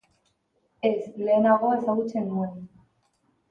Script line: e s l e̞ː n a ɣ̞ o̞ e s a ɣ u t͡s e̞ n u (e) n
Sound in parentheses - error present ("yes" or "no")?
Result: no